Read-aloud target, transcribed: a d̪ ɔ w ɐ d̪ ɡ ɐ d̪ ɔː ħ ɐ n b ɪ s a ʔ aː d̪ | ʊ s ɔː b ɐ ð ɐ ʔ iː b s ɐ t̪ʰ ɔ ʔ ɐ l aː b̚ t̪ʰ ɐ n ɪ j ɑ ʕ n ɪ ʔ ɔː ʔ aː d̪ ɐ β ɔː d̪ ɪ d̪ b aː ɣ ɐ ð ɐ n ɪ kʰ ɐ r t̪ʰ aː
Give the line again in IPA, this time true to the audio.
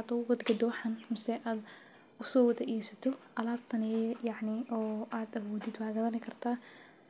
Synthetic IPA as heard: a d̪ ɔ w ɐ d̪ ɡ ɐ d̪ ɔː ħ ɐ n m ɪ s ɛ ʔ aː d̪ | ʊ s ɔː w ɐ ð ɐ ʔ iː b s ɐ t̪ʰ ɔ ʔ ɐ l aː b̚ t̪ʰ ɐ n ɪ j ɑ ʕ n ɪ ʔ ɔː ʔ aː d̪ ɐ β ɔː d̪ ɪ d̪ w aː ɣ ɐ ð ɐ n ɪ kʰ ɐ r t̪ʰ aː

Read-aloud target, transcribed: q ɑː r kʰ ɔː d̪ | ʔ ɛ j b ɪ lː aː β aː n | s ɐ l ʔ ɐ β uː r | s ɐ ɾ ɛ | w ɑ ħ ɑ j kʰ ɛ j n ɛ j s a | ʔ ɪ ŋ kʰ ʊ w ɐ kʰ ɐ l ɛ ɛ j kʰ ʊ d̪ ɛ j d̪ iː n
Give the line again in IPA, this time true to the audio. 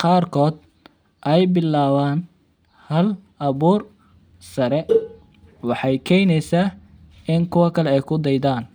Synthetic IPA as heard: q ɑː r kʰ ɔː d̪ | ʔ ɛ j b ɪ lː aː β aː n | h ɐ l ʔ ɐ β uː r | s ɐ ɾ ɛ | w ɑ ħ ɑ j kʰ ɛ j n ɛ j s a | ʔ ɪ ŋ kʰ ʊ w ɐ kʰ ɐ l ɛ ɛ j kʰ ʊ d̪ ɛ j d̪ aː n

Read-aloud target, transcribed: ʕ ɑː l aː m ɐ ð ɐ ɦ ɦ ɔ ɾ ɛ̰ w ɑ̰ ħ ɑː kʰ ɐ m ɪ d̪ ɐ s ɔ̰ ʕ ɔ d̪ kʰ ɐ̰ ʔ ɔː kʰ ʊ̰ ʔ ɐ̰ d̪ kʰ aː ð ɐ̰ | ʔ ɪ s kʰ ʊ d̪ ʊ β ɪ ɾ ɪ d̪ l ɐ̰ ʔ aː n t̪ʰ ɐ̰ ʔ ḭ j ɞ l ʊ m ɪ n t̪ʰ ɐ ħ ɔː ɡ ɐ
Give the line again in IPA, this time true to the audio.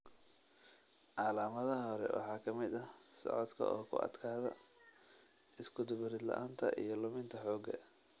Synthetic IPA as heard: ʕ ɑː l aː m ɐ ð ɐ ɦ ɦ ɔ ɾ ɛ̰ w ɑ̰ ħ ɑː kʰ ɐ m ɪ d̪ ɐ s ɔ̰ ʕ ɔ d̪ kʰ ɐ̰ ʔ ɔː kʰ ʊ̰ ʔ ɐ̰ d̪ kʰ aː ð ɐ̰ | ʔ ɪ s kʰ ʊ d̪ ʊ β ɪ ɾ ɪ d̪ l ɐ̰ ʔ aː n t̪ʰ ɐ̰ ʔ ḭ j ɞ l ʊ m ɪ n t̪ʰ ɐ ħ ɔː ɡ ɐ

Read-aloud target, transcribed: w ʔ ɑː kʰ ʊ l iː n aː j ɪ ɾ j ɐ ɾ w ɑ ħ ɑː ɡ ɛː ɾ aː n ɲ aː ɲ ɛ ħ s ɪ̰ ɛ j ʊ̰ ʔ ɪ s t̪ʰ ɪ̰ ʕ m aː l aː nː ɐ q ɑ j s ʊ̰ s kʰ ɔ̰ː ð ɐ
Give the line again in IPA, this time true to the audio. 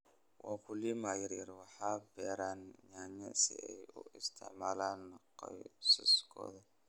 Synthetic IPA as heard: w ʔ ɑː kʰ ʊ l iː m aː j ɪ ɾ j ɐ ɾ w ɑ ħ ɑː b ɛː ɾ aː n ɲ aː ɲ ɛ s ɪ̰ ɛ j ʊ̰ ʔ ɪ s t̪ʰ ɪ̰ ʕ m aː l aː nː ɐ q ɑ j s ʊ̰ s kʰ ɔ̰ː ð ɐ

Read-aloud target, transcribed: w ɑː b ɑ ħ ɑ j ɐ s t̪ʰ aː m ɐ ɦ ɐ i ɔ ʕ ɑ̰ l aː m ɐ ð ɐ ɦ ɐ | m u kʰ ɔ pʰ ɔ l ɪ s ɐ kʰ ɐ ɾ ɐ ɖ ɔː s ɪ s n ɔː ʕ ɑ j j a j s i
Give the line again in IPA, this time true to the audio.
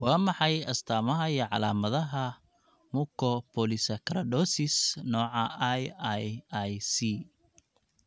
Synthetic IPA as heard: w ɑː m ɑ ħ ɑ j ɐ s t̪ʰ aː m ɐ ɦ ɐ i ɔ ʕ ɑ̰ l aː m ɐ ð ɐ ɦ ɐ | m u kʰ ɔ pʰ ɔ l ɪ s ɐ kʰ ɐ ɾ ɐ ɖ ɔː s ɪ s n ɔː ʕ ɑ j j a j s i

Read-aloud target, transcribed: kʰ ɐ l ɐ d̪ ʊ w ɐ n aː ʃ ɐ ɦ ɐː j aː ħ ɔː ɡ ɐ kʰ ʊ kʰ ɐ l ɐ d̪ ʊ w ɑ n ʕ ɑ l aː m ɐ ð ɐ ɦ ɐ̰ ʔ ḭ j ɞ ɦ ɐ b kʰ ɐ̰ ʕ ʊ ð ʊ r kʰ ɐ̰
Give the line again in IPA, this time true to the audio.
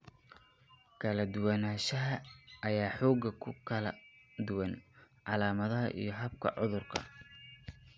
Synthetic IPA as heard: kʰ ɐ l ɐ d̪ ʊ w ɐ n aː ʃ ɐ ɦ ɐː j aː ħ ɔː ɡ ɐ kʰ ʊ kʰ ɐ l ɐ d̪ ʊ w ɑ n ʕ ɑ l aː m ɐ ð ɐ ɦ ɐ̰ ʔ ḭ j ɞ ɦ ɐ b kʰ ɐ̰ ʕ ʊ ð ʊ r kʰ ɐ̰

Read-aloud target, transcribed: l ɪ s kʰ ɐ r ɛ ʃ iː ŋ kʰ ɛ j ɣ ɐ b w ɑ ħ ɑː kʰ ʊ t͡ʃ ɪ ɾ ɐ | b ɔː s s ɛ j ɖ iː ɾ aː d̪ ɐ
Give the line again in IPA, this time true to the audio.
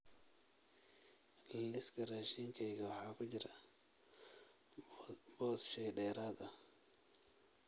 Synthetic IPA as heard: l ɪ s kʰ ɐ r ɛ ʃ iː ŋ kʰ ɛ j ɣ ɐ w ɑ ħ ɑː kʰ ʊ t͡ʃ ɪ ɾ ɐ | b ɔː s ʃ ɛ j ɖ ɛː ɾ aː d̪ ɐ

